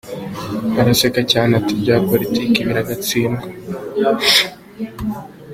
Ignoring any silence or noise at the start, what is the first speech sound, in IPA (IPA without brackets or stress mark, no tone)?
a